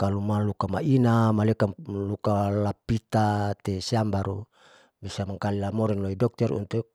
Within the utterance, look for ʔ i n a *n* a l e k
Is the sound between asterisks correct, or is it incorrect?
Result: incorrect: m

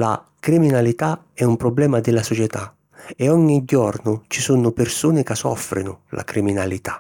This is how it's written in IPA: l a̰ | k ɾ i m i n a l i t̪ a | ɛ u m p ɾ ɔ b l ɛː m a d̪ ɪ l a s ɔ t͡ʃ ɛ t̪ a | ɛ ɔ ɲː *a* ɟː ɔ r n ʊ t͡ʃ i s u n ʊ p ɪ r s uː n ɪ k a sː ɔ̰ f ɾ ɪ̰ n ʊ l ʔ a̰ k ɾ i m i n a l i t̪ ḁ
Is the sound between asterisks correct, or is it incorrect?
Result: incorrect: i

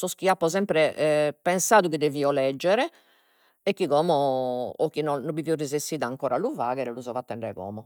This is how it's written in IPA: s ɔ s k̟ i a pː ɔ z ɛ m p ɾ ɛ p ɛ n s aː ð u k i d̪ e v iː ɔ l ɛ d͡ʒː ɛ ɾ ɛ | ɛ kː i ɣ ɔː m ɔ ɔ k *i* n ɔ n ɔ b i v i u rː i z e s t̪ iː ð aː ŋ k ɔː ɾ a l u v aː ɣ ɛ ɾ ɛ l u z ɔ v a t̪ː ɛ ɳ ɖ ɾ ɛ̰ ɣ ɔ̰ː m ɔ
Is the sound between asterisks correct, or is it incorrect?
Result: correct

